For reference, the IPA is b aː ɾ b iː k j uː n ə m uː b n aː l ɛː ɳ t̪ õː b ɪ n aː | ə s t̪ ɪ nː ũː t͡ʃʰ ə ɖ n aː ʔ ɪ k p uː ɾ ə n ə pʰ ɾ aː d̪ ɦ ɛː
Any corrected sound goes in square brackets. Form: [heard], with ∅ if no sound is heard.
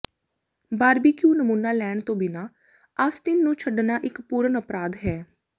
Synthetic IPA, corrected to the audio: b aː ɾ b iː k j uː n ə m uː [∅] n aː l ɛː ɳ t̪ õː b ɪ n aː | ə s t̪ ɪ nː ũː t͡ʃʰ ə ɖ n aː ʔ ɪ k p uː ɾ ə n ə [p] ɾ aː d̪ ɦ ɛː